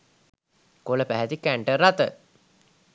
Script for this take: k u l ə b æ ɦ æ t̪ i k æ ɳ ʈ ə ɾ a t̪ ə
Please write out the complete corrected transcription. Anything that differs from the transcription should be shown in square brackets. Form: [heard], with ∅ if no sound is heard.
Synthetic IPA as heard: k [o] l ə [p] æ ɦ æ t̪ i k æ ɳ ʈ ə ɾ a t̪ ə